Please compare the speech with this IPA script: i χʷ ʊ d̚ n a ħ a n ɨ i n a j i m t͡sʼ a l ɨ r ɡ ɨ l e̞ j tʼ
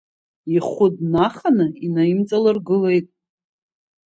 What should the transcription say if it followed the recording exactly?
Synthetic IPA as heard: i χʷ ʊ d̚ n a χ a n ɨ i n a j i m t͡sʼ a l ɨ r ɡ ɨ l e̞ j tʼ